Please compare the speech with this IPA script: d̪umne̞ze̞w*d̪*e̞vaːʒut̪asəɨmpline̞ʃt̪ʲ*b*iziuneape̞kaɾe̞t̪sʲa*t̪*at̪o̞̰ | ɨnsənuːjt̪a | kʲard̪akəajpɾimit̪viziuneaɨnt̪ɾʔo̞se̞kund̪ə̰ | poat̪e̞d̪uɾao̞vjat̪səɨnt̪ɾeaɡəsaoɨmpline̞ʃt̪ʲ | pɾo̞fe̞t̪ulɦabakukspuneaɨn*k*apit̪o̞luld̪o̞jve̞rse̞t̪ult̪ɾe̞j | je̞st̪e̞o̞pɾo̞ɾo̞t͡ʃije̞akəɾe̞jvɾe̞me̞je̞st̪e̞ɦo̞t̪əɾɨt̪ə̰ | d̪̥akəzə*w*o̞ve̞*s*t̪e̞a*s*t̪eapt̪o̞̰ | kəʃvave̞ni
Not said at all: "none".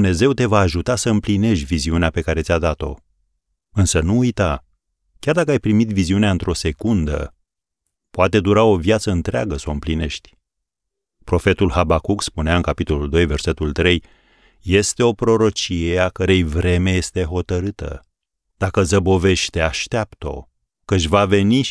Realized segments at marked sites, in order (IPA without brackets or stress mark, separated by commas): t̪, v, d̪, k, b, ʃ, ʃ